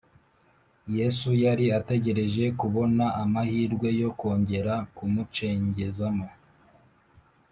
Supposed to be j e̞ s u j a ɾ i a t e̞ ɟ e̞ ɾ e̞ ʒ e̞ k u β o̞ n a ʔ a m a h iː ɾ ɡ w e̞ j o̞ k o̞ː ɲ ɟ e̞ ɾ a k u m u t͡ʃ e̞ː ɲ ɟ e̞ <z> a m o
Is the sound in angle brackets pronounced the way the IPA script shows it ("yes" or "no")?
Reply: yes